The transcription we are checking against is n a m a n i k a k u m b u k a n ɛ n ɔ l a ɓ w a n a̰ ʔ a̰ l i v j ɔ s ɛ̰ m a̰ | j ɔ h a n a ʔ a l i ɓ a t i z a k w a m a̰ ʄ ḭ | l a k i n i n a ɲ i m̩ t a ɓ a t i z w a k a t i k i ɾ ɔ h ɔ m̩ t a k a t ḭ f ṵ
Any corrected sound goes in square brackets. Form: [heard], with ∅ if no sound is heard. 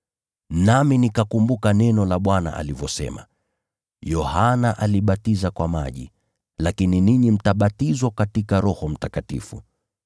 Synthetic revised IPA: n a m [i] n i k a k u m b u k a n ɛ n ɔ l a ɓ w a n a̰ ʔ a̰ l i v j ɔ s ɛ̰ m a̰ | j ɔ h a n a ʔ a l i ɓ a t i z a k w a m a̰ ʄ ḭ | l a k i n i n [i] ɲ i m̩ t a ɓ a t i z w a k a t i k [a] ɾ ɔ h ɔ m̩ t a k a t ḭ f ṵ

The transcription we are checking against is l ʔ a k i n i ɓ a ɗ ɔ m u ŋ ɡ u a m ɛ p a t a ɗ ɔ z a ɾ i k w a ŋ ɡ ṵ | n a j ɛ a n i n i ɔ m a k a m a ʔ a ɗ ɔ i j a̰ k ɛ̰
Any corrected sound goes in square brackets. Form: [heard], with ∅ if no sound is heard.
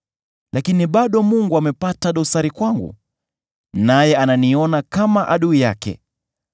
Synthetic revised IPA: l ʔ a k i n i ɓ a ɗ ɔ m u ŋ ɡ u a m ɛ p a t a ɗ ɔ [s] a ɾ i k w a ŋ ɡ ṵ | n a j ɛ a n [a] n i ɔ [n] a k a m a ʔ a ɗ [u] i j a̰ k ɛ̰

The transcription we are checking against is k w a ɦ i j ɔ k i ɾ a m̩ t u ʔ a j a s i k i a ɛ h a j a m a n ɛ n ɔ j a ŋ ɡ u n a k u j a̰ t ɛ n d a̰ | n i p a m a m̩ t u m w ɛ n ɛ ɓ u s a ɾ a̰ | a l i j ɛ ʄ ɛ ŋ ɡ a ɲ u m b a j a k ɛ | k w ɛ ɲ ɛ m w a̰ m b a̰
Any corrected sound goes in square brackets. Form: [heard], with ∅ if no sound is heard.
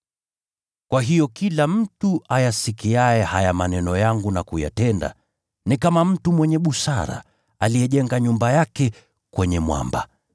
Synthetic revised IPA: k w a ɦ i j ɔ k i [l] a m̩ t u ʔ a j a s i k i a ɛ h a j a m a n ɛ n ɔ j a ŋ ɡ u n a k u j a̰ t ɛ n d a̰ | n i [k] a m a m̩ t u m w ɛ [ɲ] ɛ ɓ u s a ɾ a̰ | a l i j ɛ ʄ ɛ ŋ ɡ a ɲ u m b a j a k ɛ | k w ɛ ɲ ɛ m w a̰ m b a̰

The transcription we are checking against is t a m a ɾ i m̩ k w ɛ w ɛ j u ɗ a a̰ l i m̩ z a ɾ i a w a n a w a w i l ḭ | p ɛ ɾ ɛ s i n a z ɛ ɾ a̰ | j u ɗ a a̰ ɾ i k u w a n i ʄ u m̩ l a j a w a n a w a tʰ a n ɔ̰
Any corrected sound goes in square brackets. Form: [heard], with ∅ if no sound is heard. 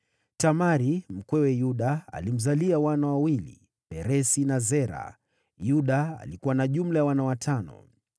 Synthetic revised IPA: t a m a ɾ i m̩ k w ɛ w ɛ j u ɗ a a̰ l i m̩ z a [l] i a w a n a w a w i l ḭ | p ɛ ɾ ɛ s i n a z ɛ ɾ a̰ | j u ɗ a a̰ [l] i k u w a n [a] ʄ u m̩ l a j a w a n a w a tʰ a n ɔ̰

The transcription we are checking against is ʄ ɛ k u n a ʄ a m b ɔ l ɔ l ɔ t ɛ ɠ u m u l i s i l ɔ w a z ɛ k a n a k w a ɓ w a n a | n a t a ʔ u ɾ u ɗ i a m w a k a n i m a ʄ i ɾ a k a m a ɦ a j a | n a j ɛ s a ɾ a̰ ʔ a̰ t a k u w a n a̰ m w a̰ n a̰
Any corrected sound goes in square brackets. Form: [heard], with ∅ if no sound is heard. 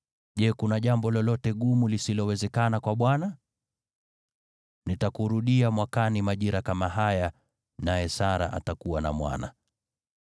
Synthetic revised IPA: ʄ ɛ k u n a ʄ a m b ɔ l ɔ l ɔ t ɛ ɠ u m u l i s i l ɔ w [ɛ] z ɛ k a n a k w a ɓ w a n a | n [i] t a [k] u ɾ u ɗ i a m w a k a n i m a ʄ i ɾ a k a m a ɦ a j a | n a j ɛ s a ɾ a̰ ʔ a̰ t a k u w a n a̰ m w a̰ n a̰

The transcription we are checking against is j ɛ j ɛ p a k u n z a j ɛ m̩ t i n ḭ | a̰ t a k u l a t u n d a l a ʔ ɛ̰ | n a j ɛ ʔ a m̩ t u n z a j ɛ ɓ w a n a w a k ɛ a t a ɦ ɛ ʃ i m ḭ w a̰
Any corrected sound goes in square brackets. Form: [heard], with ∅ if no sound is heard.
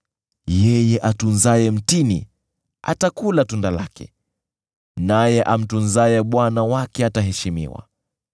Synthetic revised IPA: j ɛ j ɛ [ʔ] a [t] u n z a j ɛ m̩ t i n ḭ | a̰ t a k u l a t u n d a l a [k] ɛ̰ | n a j ɛ ʔ a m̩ t u n z a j ɛ ɓ w a n a w a k ɛ a t a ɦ ɛ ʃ i m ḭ w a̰

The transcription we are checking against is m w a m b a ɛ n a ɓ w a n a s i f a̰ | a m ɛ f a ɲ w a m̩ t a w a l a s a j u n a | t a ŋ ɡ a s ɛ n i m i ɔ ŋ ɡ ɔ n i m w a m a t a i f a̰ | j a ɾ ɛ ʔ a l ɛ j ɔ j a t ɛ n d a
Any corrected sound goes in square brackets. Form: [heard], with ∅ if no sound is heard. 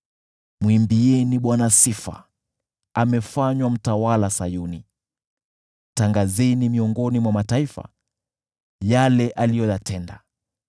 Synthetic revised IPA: m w [i] m b [i] ɛ n [i] ɓ w a n a s i f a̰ | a m ɛ f a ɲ w a m̩ t a w a l a s a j u n [i] | t a ŋ ɡ a [z] ɛ n i m i ɔ ŋ ɡ ɔ n i m w a m a t a i f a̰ | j a [l] ɛ ʔ a l [i] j ɔ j a t ɛ n d a

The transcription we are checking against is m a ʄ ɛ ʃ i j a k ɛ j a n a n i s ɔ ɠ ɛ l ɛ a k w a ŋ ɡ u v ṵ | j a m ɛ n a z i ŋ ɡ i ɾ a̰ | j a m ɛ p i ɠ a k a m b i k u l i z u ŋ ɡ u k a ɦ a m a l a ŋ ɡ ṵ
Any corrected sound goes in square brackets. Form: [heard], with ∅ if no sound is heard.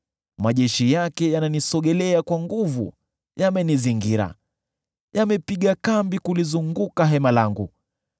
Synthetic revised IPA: m a ʄ ɛ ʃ i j a k ɛ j a n a n i s ɔ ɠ ɛ l ɛ a k w a ŋ ɡ u v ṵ | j a m ɛ n [i] z i ŋ ɡ i ɾ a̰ | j a m ɛ p i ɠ a k a m b i k u l i z u ŋ ɡ u k a ɦ [ɛ] m a l a ŋ ɡ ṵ

